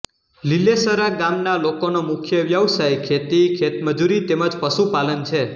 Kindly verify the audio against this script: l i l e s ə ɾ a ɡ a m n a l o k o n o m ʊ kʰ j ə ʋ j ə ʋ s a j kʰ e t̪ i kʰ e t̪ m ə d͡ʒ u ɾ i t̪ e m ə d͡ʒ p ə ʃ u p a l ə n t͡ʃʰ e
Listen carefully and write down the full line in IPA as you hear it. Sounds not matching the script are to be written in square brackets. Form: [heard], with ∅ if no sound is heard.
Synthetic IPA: l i l e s ə ɾ a ɡ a m n a l o k o n o m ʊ kʰ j ə ʋ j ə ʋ s a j kʰ e t̪ i kʰ e t̪ m ə d͡ʒ u ɾ i t̪ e m ə d͡ʒ p ə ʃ u p a l ə n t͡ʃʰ e